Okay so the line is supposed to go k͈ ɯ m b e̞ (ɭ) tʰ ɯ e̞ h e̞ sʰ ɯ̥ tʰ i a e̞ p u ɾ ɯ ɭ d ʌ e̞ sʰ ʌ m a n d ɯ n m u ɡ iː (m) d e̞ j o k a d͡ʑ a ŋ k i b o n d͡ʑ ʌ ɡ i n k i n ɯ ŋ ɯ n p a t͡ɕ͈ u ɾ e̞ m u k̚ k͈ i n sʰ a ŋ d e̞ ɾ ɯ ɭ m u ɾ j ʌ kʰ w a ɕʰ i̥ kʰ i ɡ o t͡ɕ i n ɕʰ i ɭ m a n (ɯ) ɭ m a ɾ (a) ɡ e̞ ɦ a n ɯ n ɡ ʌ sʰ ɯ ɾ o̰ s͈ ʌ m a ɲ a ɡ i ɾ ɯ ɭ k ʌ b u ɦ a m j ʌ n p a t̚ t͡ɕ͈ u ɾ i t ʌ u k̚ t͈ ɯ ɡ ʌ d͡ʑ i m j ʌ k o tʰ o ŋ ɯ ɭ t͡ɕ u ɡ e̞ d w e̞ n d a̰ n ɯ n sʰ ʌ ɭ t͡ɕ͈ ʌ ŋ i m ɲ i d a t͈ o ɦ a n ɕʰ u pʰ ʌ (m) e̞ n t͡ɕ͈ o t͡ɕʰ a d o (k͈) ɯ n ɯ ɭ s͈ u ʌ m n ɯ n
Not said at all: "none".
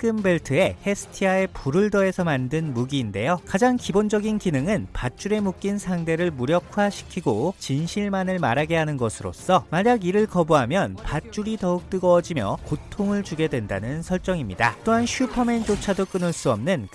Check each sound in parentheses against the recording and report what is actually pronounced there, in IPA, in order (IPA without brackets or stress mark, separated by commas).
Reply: ɭ, n, ɯ, a, m, k͈